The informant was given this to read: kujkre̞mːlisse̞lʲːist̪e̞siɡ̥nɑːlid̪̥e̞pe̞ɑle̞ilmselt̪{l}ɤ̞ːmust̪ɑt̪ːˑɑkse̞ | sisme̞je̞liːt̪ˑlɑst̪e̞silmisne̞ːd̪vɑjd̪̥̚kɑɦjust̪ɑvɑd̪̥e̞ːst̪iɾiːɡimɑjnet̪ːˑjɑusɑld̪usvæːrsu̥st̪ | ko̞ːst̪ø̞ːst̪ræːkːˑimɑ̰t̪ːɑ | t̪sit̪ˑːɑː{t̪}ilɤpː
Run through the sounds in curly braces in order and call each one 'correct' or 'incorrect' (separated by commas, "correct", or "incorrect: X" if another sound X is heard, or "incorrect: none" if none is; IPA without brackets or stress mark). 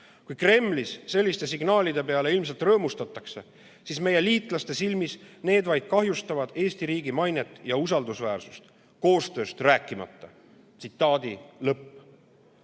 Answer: incorrect: r, incorrect: d̪